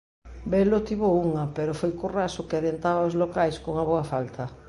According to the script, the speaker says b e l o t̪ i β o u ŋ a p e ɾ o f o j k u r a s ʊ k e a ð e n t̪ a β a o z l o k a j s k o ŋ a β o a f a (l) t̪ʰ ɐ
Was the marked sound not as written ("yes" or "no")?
no